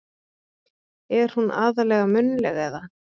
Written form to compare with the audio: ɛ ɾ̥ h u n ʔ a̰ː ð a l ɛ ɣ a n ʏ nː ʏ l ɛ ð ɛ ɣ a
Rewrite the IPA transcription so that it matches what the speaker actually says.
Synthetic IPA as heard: ɛ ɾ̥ h u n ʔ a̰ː ð a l ɛ ɣ a m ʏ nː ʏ l ɛ ɣ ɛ ð a

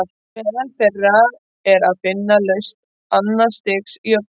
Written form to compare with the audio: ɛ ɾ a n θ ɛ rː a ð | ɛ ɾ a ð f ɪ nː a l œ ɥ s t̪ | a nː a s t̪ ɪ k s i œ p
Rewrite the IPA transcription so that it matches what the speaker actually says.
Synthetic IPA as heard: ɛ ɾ a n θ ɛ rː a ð | ɛ ɾ a ð f ɪ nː a l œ ɥ s t̪ | a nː a s t̪ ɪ k s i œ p

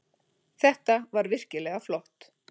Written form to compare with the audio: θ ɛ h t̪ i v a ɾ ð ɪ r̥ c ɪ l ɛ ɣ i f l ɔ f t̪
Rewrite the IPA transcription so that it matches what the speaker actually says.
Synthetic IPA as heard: θ ɛ h t̪ a v a ɾ v ɪ r̥ c ɪ l ɛ ɣ a f l ɔ h t̪

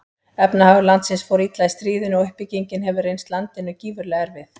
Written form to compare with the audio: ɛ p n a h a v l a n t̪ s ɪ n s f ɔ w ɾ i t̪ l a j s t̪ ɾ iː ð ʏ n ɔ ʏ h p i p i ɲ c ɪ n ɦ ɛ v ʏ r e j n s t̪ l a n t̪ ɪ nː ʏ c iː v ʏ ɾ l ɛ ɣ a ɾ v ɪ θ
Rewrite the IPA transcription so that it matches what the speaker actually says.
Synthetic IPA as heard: ɛ p n a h a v l a n t̪ s ɪ n s f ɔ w ɾ i t̪ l a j s t̪ ɾ iː ð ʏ n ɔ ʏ h p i c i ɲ c ɪ n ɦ ɛ v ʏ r e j n s t̪ l a n t̪ ɪ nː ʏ c iː v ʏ ɾ l ɛ ɣ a ɾ v ɪ θ

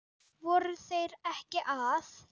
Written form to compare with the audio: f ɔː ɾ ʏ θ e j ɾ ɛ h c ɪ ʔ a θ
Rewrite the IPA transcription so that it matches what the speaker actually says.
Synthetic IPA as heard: v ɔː ɾ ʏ θ e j ɾ ɛ h c ɪ ʔ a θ

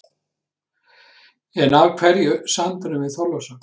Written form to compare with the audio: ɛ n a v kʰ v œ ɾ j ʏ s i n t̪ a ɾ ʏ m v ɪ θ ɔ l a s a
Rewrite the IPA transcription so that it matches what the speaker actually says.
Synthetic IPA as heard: ɛ n a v kʰ v ɛ ɾ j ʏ s a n t̪ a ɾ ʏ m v ɪ θ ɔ l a s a

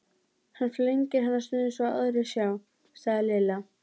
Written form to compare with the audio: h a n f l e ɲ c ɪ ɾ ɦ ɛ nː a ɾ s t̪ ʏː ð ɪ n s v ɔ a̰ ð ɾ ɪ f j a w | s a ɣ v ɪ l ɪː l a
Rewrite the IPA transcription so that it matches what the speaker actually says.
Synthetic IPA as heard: h a n f l e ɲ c ɪ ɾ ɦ a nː a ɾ s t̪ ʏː ð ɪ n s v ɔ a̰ ð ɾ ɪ s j a w | s a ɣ ð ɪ l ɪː l a

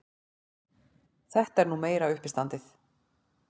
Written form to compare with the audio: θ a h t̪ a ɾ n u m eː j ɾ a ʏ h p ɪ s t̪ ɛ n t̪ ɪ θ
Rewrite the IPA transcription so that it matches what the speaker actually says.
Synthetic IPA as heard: θ ɛ h t̪ ɛ ɾ n u m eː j ɾ a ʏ h p ɪ s t̪ a n t̪ ɪ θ

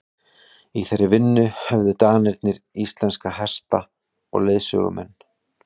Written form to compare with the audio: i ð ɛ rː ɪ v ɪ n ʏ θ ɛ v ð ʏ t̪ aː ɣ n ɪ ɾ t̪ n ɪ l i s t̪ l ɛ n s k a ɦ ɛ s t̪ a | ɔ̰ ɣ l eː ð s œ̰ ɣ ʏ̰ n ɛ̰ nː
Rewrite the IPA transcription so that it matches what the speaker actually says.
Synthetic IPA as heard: i θ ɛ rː ɪ v ɪ nː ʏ h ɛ v ð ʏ t̪ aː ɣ n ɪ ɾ t̪ n ɪ ɾ i s t̪ l ɛ n s k a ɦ ɛ s t̪ a | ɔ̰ ɣ l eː ð s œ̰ ɣ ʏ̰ m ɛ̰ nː

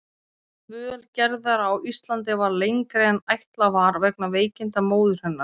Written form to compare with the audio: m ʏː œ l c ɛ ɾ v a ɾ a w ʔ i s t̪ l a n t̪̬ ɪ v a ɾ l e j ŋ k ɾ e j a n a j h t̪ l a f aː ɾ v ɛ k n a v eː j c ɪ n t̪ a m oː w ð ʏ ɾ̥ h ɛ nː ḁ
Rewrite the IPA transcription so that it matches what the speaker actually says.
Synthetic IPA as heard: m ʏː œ l c ɛ ɾ ð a ɾ a w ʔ i s t̪ l a n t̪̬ ɪ v a ɾ l e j ŋ k ɾ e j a n a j h t̪ l a v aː ɾ v ɛ k n a v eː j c ɪ n t̪ a m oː w ð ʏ ɾ̥ h ɛ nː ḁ

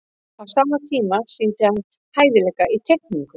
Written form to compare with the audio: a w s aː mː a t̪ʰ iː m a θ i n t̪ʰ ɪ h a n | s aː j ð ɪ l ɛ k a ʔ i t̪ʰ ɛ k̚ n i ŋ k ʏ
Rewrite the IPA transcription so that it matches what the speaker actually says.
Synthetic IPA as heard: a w s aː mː a t̪ʰ iː m a s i n t̪ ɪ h a n | h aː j ð ɪ l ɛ k a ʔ i t̪ʰ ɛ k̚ n i ŋ k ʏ

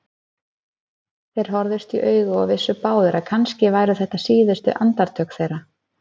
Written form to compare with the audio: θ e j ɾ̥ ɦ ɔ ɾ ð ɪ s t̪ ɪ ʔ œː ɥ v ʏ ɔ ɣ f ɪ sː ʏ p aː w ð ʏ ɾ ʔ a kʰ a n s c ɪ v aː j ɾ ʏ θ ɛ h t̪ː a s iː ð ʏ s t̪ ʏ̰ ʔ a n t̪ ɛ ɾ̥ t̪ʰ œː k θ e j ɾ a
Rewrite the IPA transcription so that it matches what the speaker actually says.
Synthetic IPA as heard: θ e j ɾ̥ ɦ ɔ ɾ ð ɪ s t̪ i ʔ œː ɥ ɣ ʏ ɔ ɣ v ɪ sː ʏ p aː w ð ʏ ɾ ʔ a kʰ a n s c ɪ v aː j ɾ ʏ θ ɛ h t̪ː a s iː ð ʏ s t̪ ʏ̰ ʔ a n t̪ a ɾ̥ t̪ʰ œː k θ e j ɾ a

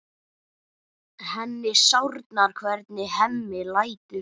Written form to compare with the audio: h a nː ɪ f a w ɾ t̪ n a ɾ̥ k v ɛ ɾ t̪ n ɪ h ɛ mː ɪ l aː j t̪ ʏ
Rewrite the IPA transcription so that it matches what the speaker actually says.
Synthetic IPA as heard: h ɛ nː ɪ s a w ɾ t̪ n a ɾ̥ kʰ v ɛ ɾ t̪ n ɪ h ɛ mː ɪ l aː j t̪ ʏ

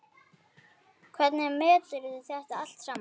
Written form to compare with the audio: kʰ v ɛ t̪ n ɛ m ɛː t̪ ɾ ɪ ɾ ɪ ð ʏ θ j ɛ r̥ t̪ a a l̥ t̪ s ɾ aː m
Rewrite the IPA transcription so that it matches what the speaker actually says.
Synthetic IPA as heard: kʰ v ɛ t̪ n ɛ m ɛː t̪ l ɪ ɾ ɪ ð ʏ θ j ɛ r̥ t̪ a a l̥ t̪ s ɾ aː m

